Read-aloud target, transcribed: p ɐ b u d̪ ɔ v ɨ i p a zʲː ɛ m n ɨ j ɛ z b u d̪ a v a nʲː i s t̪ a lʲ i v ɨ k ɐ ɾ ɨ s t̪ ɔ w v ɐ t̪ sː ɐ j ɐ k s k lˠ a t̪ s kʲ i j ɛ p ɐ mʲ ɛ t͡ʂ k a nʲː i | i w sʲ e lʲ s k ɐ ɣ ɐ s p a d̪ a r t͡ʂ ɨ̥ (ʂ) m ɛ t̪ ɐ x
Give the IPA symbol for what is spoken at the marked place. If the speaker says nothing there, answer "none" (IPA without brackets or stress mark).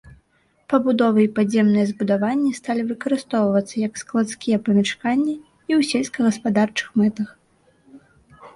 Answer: x